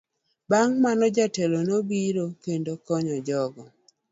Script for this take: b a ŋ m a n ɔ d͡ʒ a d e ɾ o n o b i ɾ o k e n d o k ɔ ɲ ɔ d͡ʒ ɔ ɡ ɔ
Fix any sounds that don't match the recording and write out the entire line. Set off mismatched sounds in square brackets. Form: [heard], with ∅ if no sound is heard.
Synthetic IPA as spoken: b a ŋ m a n ɔ d͡ʒ a [t] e [l] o n o b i ɾ o k e n d o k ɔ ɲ ɔ d͡ʒ ɔ ɡ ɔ